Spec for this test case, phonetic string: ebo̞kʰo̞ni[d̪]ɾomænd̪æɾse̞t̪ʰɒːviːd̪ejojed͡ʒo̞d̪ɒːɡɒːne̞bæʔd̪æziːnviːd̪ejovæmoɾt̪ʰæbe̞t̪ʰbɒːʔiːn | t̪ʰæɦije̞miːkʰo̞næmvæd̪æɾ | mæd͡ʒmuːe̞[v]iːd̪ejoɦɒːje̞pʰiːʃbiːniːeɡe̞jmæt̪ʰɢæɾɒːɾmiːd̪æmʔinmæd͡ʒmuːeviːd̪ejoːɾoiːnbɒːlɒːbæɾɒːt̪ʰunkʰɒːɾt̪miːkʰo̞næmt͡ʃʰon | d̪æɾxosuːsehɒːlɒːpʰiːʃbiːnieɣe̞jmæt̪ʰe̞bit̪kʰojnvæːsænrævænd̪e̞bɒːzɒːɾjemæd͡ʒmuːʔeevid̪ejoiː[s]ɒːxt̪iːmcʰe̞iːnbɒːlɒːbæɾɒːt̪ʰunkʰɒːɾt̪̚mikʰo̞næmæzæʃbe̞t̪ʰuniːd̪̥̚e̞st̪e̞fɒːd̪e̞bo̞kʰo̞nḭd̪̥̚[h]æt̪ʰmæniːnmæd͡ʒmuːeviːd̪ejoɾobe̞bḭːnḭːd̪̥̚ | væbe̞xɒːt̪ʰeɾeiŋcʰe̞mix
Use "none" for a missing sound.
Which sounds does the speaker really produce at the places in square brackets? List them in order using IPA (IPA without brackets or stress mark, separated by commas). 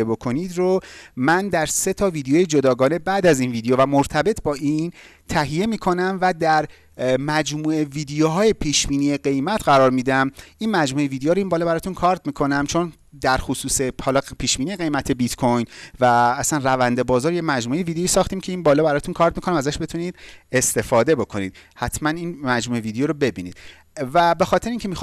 d̪, v, s, h